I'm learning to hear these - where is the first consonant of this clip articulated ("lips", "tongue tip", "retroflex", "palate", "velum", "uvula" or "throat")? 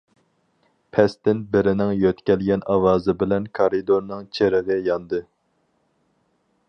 lips